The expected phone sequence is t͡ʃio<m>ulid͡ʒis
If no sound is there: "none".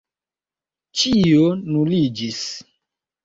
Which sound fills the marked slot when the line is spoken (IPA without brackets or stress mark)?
n